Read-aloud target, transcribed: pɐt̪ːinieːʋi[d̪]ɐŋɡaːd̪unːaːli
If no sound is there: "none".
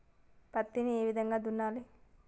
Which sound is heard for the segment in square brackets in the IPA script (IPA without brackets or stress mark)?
d̪